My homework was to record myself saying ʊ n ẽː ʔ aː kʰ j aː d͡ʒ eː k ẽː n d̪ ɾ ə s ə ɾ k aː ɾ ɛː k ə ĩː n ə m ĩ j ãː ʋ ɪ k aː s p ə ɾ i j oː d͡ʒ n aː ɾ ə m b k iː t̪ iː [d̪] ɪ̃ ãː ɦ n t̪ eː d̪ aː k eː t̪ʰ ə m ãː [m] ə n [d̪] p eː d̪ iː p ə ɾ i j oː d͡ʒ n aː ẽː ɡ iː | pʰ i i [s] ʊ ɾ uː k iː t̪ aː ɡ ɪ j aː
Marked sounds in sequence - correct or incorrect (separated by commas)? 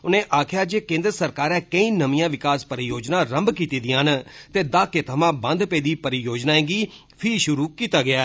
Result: correct, incorrect, correct, incorrect